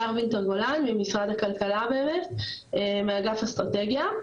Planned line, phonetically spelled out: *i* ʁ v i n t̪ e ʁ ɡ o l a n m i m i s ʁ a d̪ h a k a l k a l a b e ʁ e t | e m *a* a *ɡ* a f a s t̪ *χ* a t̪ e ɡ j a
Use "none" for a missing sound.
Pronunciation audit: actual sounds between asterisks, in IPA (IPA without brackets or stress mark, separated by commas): a, e, ɡ, ʁ